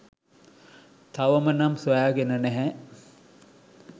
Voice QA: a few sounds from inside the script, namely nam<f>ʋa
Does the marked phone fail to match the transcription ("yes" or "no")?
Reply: yes